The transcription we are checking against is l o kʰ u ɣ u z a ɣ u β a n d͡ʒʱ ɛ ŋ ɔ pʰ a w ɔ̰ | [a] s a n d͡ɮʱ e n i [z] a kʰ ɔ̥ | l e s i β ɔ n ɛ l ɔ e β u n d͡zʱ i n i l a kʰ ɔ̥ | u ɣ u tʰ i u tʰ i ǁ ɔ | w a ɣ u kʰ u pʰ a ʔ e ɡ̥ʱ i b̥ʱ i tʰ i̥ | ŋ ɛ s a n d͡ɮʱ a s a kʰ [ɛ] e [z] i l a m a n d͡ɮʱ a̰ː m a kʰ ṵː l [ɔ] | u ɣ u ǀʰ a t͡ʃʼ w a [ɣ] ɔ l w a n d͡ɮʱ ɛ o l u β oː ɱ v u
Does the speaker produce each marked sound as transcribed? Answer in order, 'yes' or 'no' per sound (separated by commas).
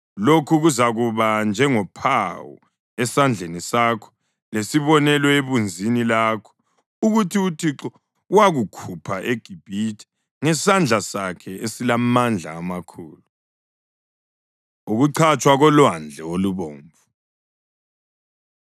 no, no, yes, no, no, yes